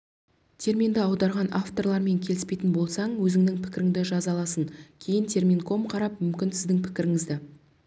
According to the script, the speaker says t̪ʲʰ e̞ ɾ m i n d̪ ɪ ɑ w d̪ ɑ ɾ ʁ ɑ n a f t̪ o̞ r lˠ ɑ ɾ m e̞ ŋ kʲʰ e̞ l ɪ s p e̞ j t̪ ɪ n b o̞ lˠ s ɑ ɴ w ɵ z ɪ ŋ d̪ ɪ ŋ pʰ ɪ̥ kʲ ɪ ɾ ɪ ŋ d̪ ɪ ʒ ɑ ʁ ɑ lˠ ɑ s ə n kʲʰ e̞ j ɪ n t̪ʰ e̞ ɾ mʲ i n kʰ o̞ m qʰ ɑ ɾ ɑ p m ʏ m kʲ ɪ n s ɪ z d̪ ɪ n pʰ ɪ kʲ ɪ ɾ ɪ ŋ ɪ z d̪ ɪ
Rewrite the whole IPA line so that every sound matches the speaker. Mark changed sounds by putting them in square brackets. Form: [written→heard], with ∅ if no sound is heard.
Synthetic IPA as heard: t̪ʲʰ e̞ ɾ m i n d̪ ɪ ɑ w d̪ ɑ ɾ ʁ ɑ n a f t̪ o̞ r lˠ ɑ ɾ m e̞ ŋ kʲʰ e̞ l ɪ s p e̞ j t̪ ɪ n b o̞ lˠ s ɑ ɴ w ɵ z ɪ ŋ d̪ ɪ ŋ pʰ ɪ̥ kʲ ɪ ɾ ɪ ŋ d̪ ɪ ʒ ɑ [ʁ→z] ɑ lˠ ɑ s ə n kʲʰ e̞ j ɪ n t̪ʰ e̞ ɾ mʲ i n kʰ o̞ m qʰ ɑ ɾ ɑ p m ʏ m kʲ ɪ n s ɪ z d̪ ɪ [n→ŋ] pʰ ɪ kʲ ɪ ɾ ɪ ŋ ɪ z d̪ ɪ